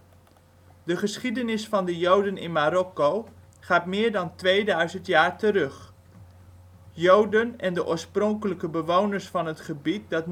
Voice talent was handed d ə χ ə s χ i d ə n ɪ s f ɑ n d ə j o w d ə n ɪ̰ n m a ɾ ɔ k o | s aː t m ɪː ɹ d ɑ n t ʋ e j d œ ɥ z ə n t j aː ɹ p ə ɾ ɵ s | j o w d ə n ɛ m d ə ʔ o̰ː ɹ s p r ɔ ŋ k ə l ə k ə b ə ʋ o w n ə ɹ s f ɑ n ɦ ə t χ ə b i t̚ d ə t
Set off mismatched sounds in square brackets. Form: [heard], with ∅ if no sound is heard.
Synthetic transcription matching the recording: d ə χ ə s χ i d ə n ɪ s f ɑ n d ə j o w d ə n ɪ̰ n m a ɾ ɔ k o | [χ] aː t m ɪː ɹ d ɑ n t ʋ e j d œ ɥ z ə n t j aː ɹ [t] ə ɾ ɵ [χ] | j o w d ə n ɛ [n] d ə ʔ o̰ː ɹ s p r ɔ ŋ k ə l ə k ə b ə ʋ o w n ə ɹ s f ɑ n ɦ ə t χ ə b i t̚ d [ɑ] t